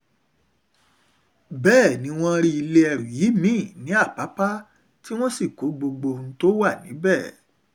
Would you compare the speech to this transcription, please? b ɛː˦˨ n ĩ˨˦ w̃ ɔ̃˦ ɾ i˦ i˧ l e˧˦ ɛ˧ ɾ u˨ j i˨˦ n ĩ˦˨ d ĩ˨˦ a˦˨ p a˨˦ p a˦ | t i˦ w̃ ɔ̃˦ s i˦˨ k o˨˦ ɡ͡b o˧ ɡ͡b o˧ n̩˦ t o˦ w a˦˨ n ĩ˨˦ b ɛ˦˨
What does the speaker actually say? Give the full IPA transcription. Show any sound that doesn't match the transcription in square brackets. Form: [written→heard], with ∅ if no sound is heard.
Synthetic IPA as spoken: b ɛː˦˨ n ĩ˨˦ w̃ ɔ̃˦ ɾ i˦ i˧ l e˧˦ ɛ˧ ɾ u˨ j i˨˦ [n→m] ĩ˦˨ [d→n] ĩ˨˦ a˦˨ p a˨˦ p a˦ | t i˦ w̃ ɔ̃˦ s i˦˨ k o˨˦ ɡ͡b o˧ ɡ͡b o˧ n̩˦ t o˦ w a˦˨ n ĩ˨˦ b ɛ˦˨